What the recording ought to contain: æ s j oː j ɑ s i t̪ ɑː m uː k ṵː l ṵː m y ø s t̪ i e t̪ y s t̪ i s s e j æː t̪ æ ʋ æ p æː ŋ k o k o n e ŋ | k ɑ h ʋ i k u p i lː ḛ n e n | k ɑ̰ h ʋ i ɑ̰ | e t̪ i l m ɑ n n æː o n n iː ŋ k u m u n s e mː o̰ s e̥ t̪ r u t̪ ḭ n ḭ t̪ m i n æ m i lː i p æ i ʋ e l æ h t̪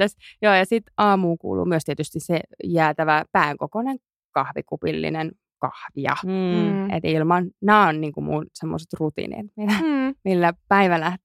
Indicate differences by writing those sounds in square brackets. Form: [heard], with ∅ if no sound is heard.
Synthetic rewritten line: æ s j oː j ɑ s i t̪ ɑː m uː k ṵː l ṵː m y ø s t̪ i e t̪ y s t̪ i s s e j æː t̪ æ ʋ æ p æː ŋ k o k o n e ŋ | k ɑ h ʋ i k u p i lː [ḭ] n e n | k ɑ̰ h ʋ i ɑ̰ | e t̪ i l m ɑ n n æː o n n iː ŋ k u m u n s e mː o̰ s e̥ t̪ r u t̪ ḭ n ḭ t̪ m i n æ m i lː [æ] p æ i ʋ [æ] l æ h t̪